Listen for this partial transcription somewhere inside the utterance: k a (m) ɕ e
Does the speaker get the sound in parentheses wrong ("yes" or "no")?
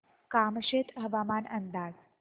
no